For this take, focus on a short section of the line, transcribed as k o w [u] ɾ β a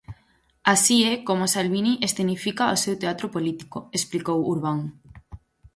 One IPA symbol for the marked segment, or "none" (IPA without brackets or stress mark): u